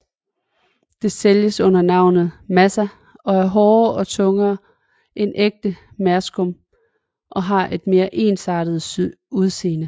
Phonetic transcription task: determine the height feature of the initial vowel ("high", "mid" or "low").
mid